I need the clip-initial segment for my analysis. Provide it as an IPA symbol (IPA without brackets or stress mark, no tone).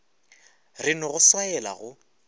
r